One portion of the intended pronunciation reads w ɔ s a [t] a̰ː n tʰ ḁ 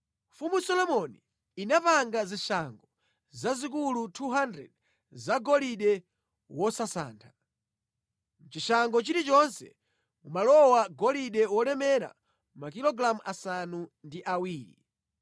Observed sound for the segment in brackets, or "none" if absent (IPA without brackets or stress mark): s